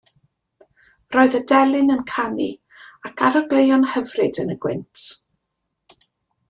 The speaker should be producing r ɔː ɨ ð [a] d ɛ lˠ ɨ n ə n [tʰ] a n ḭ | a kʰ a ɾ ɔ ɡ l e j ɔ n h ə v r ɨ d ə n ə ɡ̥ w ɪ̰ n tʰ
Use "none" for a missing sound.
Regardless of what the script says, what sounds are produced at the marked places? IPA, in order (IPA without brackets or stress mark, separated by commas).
ə, kʰ